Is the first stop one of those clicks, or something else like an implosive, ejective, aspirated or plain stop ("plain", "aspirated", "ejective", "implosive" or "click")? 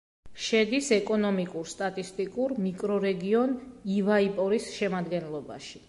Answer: plain